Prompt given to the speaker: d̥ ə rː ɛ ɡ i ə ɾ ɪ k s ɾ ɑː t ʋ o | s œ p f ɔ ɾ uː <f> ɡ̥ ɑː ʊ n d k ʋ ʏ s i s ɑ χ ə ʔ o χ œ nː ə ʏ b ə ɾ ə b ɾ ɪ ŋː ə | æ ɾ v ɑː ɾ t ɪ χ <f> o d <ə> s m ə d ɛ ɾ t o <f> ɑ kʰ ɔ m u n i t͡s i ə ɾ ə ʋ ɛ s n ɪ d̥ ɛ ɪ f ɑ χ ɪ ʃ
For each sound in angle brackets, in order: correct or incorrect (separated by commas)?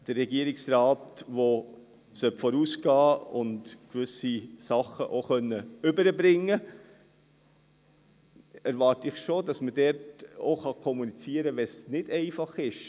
incorrect, incorrect, incorrect, incorrect